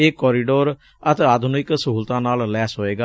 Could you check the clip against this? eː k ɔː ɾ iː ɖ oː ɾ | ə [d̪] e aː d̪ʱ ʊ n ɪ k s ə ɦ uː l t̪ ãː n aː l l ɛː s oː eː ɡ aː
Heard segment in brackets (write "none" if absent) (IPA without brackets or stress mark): t̪